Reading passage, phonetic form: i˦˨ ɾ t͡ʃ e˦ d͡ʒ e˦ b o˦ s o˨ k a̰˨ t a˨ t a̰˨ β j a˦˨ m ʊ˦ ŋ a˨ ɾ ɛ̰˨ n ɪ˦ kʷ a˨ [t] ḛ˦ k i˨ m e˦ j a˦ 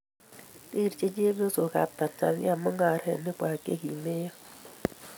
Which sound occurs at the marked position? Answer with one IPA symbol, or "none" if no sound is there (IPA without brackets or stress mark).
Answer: k